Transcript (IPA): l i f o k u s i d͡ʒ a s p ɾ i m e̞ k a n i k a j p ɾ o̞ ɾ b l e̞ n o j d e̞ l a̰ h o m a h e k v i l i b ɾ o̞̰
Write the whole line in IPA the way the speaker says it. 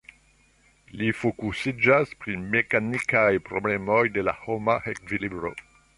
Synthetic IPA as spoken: l i f o k u s i d͡ʒ a s p ɾ i m e̞ k a n i k a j p ɾ o̞ b l e̞ m o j d e̞ l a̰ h o m a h e k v i l i b ɾ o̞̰